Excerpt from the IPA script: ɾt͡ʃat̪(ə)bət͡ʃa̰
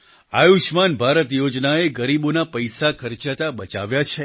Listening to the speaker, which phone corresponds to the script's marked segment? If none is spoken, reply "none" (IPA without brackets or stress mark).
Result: a